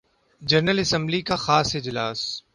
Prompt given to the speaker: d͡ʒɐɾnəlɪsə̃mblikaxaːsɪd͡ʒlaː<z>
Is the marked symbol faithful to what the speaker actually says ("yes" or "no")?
no